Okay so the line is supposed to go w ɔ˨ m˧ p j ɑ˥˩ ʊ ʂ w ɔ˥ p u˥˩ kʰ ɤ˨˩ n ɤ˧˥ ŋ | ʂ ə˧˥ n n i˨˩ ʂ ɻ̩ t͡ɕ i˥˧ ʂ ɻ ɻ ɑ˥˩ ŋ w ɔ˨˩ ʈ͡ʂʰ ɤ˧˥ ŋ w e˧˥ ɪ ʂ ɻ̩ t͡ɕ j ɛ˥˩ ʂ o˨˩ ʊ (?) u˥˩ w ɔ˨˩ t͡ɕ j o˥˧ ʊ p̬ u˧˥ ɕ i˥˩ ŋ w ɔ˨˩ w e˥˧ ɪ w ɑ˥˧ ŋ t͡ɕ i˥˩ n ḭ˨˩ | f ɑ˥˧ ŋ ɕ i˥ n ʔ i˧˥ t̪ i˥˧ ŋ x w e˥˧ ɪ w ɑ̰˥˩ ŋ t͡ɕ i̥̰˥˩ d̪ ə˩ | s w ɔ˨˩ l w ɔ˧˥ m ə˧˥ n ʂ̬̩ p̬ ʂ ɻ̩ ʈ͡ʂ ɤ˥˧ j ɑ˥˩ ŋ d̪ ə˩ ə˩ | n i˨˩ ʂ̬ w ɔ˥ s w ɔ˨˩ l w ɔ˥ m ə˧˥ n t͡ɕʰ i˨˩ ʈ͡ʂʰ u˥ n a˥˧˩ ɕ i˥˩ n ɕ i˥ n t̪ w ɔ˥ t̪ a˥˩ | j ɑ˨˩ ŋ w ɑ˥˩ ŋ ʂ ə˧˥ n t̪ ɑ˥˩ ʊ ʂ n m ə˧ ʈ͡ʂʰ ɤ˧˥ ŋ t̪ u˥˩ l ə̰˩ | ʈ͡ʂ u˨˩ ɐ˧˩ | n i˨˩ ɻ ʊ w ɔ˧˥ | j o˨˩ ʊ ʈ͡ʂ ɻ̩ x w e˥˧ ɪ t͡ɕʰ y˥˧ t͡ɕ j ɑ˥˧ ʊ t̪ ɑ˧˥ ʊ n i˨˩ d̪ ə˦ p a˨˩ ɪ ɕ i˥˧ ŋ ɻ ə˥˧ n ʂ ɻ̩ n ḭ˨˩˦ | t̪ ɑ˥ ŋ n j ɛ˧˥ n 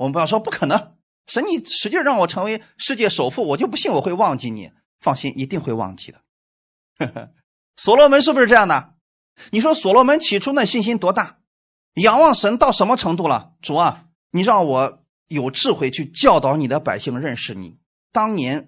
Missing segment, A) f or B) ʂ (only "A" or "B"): A